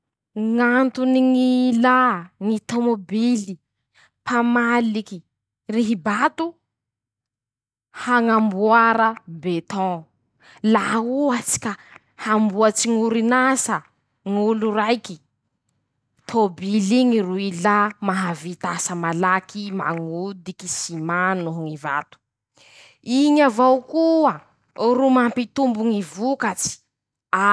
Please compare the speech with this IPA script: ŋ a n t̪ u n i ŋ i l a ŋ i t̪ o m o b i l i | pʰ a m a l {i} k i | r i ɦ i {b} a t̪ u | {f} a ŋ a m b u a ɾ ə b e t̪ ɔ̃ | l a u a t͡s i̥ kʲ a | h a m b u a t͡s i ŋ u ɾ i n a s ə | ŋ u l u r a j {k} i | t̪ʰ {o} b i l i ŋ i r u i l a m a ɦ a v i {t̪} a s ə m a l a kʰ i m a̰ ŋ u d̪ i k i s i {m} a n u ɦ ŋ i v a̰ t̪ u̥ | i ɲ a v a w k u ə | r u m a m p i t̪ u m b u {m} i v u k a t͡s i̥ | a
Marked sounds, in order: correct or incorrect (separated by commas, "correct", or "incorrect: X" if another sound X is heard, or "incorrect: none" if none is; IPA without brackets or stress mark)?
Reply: correct, correct, incorrect: h, correct, correct, correct, correct, incorrect: ŋ